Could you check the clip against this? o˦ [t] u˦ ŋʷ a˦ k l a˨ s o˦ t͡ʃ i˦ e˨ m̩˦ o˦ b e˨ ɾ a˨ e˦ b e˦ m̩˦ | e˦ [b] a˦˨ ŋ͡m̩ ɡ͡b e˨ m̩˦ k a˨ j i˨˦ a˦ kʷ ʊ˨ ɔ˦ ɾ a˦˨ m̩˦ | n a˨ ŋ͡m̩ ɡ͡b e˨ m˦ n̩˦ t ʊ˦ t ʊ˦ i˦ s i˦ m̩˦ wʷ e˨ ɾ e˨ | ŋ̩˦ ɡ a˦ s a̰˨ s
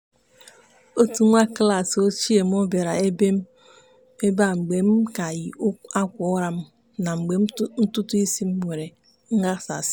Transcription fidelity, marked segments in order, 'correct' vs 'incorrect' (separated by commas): correct, correct